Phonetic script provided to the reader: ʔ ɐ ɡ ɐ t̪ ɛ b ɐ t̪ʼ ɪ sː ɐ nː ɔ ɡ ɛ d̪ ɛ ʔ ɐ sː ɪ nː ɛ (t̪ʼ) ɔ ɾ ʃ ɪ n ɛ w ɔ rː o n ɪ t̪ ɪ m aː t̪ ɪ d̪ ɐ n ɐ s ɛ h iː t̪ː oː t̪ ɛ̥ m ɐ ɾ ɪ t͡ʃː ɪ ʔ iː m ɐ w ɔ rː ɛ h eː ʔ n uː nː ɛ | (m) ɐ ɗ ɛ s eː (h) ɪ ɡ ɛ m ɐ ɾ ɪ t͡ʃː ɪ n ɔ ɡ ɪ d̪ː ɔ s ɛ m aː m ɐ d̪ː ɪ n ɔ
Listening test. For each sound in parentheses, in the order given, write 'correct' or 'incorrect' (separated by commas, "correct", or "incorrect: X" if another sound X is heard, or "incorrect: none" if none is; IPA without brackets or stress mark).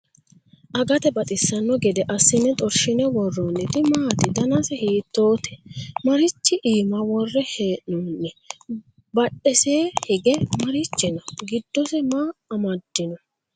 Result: correct, incorrect: b, correct